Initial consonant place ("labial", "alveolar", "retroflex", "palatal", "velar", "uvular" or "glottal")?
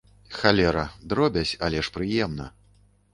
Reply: velar